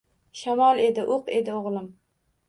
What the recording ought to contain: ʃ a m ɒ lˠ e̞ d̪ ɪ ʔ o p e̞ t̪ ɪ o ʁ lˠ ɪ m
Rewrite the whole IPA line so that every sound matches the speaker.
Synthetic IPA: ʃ a m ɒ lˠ e̞ d̪ ɪ ʔ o q e̞ d̪ ɪ o ʁ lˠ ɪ m